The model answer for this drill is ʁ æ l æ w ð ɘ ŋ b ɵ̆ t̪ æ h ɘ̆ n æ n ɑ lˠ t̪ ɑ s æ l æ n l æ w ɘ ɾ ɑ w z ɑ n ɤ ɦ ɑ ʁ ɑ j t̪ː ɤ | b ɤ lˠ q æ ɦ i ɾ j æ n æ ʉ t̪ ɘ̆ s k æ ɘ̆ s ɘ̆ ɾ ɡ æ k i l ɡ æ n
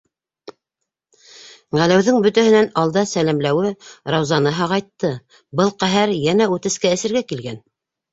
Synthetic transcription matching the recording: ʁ æ l æ w ð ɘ ŋ b ɵ̆ t̪ æ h ɘ̆ n æ n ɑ lˠ d̪ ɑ s æ l æ m l æ w ɘ ɾ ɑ w z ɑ n ɤ ɦ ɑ ʁ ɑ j t̪ː ɤ | b ɤ lˠ q æ ɦ æ ɾ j æ n æ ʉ t̪ ɘ̆ s k æ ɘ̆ s ɘ̆ ɾ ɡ æ k i l ɡ æ n